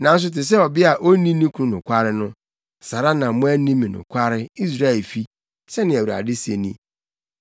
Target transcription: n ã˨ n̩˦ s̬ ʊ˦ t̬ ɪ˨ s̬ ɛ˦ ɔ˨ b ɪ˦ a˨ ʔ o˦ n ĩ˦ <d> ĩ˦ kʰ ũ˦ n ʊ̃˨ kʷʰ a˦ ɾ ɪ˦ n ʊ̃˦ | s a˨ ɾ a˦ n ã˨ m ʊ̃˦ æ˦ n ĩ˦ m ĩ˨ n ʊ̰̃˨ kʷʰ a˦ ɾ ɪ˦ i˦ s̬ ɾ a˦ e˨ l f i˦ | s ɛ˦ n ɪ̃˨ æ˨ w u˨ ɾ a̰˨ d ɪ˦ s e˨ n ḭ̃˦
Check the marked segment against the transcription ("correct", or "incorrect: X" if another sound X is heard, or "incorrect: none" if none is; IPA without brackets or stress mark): incorrect: n